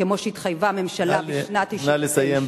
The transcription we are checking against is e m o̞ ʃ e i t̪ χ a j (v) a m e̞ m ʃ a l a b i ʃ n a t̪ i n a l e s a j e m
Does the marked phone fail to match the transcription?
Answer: no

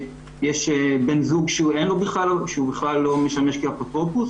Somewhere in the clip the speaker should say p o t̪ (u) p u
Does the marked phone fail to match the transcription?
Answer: yes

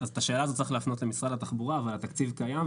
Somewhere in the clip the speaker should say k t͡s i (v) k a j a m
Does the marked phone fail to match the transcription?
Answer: no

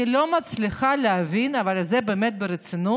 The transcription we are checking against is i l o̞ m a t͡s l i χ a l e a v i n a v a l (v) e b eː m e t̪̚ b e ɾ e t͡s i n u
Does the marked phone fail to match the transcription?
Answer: yes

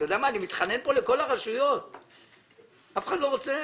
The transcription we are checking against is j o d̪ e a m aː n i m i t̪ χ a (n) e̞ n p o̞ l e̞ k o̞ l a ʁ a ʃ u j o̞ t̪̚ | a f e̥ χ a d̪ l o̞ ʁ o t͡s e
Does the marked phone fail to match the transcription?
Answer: no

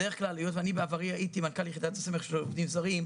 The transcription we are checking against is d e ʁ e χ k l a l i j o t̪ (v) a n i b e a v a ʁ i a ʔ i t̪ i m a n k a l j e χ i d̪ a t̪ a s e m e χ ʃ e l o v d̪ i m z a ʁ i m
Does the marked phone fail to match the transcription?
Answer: no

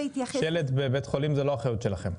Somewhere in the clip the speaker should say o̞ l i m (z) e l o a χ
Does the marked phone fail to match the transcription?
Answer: no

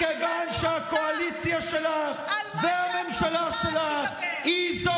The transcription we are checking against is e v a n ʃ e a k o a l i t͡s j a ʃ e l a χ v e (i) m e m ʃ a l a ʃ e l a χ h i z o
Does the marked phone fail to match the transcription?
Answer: yes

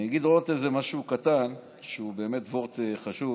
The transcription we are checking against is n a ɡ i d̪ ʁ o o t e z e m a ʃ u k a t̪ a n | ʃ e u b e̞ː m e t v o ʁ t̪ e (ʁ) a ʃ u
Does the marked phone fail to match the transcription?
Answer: yes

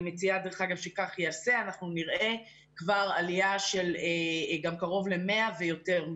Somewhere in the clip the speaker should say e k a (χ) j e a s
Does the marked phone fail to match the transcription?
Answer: no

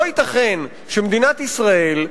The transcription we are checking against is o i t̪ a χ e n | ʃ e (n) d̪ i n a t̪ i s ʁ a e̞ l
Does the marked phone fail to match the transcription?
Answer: yes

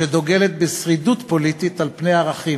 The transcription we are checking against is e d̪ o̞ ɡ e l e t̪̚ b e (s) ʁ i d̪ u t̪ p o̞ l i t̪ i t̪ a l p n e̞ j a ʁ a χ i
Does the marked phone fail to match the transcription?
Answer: no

